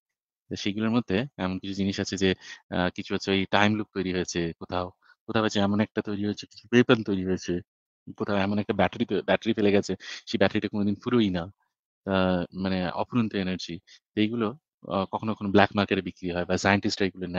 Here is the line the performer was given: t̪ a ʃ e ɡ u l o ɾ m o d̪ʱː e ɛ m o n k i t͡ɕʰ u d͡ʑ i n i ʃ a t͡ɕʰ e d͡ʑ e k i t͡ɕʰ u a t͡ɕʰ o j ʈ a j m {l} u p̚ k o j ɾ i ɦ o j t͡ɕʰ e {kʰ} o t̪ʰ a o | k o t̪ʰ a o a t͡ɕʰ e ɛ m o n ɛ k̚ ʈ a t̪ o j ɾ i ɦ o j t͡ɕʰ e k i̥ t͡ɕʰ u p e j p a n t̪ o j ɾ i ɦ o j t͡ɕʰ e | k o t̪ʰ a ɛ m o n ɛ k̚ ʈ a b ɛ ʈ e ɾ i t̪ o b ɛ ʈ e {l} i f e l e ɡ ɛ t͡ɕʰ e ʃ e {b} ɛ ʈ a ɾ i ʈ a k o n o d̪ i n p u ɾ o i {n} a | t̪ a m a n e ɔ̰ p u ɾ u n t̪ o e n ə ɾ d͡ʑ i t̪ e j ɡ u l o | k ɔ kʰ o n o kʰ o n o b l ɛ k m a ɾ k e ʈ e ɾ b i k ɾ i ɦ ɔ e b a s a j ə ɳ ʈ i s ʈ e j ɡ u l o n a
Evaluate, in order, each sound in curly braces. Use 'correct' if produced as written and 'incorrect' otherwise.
correct, incorrect, incorrect, correct, correct

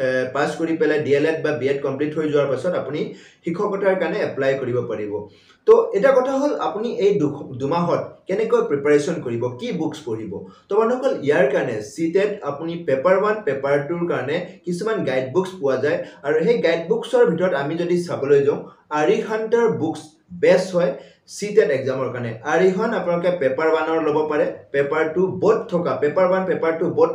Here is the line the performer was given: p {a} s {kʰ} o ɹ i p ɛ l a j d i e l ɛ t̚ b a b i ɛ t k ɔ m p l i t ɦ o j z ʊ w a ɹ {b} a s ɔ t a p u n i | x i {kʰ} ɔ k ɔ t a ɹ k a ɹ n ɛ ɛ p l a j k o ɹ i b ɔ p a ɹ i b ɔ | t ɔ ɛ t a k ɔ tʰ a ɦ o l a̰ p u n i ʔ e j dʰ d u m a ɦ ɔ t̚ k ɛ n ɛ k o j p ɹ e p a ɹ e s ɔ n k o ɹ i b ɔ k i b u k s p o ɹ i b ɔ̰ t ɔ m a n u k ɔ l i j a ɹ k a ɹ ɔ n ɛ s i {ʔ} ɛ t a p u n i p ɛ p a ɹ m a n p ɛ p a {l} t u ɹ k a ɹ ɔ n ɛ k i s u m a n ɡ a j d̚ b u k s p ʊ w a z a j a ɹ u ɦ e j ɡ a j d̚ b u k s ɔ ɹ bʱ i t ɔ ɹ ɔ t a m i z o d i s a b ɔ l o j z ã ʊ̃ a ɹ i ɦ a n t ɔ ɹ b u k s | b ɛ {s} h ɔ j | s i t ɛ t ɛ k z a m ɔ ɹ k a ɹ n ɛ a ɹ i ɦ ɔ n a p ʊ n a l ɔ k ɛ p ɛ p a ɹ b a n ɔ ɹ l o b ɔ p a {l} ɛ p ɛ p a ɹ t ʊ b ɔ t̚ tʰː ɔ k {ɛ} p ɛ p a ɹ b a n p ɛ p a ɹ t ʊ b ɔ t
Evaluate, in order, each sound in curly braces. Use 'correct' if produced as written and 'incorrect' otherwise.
correct, incorrect, incorrect, correct, incorrect, incorrect, correct, incorrect, incorrect

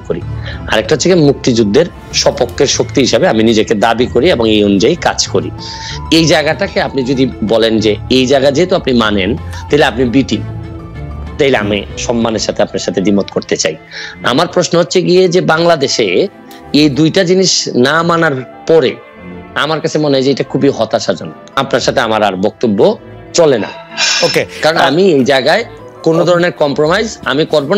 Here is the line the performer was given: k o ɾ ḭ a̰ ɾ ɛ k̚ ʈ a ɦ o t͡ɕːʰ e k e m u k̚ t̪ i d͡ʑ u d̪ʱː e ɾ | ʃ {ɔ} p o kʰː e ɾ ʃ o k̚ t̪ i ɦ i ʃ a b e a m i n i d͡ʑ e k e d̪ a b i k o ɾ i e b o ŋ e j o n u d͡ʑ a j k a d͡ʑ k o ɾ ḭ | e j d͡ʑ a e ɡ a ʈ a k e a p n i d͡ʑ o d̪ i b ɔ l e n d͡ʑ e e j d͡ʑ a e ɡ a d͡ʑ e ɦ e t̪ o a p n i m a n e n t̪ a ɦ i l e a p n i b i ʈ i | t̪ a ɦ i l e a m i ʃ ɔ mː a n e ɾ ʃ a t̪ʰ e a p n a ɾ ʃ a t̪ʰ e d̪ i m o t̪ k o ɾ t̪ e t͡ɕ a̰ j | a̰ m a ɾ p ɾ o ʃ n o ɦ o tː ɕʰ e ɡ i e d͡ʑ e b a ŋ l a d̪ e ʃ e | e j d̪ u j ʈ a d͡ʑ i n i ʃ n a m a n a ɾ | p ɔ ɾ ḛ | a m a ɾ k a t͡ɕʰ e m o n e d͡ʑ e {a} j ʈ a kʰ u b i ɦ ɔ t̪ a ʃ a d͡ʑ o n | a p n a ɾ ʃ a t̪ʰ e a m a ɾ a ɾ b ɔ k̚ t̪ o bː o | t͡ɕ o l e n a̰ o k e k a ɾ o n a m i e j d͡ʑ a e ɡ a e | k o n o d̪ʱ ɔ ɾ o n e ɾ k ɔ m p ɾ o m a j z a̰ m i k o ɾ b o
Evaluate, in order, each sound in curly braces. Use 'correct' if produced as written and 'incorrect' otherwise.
correct, incorrect

